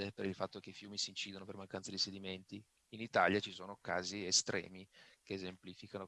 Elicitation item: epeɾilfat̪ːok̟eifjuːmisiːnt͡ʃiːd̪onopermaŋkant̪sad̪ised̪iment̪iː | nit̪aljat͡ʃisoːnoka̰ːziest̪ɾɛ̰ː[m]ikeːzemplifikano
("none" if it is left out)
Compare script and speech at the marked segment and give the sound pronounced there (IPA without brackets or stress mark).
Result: m